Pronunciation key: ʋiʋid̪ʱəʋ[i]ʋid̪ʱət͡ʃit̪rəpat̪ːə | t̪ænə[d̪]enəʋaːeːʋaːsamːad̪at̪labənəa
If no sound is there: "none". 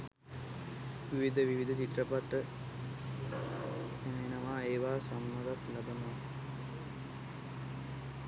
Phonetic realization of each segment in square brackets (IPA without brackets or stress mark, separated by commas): i, none